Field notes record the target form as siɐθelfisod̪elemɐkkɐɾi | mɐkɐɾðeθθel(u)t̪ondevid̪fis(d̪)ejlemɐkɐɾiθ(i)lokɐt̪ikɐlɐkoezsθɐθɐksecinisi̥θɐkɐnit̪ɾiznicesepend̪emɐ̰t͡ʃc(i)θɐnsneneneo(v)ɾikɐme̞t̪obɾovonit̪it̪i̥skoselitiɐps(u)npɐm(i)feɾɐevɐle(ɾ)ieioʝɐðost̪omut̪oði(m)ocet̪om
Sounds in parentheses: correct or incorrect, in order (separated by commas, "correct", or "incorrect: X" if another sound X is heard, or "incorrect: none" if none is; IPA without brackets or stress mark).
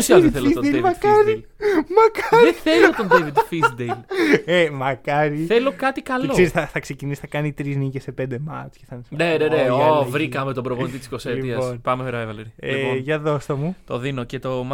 incorrect: o, correct, incorrect: e, incorrect: e, correct, incorrect: o, incorrect: e, correct, incorrect: n